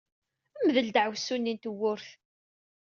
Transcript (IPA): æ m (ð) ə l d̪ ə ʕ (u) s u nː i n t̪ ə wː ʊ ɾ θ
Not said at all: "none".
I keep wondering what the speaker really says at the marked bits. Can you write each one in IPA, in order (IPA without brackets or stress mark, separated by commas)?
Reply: ð, w